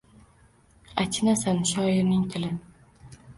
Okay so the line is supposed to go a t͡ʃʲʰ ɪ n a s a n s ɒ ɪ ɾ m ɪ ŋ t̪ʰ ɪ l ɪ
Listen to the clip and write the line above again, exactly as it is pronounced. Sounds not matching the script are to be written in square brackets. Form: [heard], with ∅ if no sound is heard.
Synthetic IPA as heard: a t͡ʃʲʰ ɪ n a s a n [ʃ] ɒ ɪ ɾ [n] ɪ ŋ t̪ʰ ɪ l ɪ